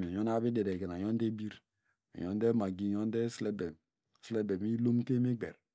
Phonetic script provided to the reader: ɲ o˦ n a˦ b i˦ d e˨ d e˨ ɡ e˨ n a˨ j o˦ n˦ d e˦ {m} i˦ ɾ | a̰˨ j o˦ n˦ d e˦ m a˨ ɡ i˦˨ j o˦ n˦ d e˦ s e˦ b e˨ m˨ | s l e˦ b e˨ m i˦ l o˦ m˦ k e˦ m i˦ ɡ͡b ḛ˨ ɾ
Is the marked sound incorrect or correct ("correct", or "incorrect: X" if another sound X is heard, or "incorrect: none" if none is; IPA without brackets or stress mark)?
incorrect: b